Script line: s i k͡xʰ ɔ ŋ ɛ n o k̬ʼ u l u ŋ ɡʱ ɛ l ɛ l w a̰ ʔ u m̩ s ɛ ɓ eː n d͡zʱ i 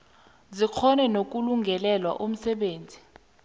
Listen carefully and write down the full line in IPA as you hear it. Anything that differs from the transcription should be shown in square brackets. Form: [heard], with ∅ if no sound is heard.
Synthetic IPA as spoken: [z] i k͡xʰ ɔ [n] ɛ n o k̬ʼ u l u ŋ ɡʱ ɛ l ɛ l w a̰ ʔ u m̩ s ɛ ɓ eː n d͡zʱ i